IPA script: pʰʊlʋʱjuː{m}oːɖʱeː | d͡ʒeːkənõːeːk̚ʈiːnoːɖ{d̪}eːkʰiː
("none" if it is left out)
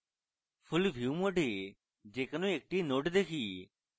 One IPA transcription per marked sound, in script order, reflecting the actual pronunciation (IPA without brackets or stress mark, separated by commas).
m, d̪